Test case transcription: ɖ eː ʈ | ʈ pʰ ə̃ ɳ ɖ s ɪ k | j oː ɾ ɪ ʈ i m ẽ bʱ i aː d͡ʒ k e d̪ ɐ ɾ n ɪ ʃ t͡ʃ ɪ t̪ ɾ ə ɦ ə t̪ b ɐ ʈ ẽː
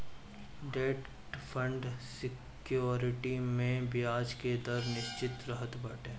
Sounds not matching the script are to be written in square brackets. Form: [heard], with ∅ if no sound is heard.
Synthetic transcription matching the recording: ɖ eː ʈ | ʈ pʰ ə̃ ɳ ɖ s ɪ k | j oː ɾ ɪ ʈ i m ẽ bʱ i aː d͡ʒ k e d̪ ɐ ɾ n ɪ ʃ t͡ʃ ɪ t̪ ɾ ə ɦ ə t̪ b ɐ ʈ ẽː